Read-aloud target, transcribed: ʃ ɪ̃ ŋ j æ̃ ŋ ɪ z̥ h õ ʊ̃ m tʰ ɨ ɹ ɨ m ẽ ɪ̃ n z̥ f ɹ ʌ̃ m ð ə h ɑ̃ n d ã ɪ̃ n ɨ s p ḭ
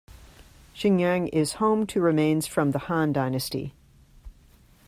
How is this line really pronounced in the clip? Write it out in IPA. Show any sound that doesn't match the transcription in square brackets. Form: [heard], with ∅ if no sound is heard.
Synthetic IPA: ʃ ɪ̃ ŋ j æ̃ ŋ ɪ z̥ h õ ʊ̃ m tʰ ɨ ɹ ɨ m ẽ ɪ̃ n z̥ f ɹ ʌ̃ m ð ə h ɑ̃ n d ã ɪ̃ n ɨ s [t] ḭ